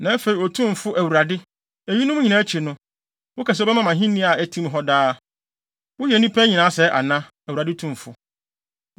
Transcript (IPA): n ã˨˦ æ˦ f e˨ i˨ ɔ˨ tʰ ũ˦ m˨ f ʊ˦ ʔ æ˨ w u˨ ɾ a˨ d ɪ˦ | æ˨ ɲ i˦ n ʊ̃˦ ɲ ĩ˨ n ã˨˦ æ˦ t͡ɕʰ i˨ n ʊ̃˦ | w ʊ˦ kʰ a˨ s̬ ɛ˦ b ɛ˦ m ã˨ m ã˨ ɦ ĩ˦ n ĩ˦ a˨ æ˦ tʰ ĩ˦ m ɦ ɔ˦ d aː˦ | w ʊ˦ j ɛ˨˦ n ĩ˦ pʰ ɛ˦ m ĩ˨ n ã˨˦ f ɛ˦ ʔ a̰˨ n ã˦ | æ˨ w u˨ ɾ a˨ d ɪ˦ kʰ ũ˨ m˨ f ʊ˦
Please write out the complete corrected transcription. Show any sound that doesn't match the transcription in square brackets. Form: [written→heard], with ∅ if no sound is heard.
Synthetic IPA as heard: n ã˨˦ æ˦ f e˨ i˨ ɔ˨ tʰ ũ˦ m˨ f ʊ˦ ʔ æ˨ w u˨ ɾ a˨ d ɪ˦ | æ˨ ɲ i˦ n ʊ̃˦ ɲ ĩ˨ n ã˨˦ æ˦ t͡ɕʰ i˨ n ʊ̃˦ | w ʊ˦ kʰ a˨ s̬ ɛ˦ b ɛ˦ m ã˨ m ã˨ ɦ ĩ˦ n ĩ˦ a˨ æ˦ tʰ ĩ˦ m ɦ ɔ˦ d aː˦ | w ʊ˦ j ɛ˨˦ n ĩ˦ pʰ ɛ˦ [m→ɲ] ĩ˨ n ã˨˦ [f→s] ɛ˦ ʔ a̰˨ n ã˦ | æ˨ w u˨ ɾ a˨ d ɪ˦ [kʰ→tʰ] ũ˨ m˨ f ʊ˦